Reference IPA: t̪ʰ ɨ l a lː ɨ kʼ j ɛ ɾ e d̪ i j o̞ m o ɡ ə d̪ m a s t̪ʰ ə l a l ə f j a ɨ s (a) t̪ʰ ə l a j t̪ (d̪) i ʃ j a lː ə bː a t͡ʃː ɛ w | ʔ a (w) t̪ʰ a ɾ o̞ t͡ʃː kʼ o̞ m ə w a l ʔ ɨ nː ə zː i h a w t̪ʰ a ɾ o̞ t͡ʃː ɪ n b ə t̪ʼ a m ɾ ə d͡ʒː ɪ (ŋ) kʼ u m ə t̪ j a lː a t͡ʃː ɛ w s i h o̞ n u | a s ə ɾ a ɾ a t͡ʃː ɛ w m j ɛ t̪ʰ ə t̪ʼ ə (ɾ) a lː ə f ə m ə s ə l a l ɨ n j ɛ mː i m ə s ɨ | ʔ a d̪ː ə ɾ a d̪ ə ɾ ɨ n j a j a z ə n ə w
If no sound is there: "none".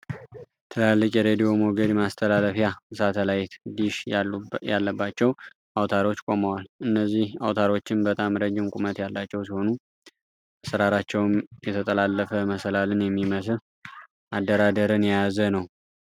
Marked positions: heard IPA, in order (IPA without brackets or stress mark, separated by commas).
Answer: a, d̪, w, m, l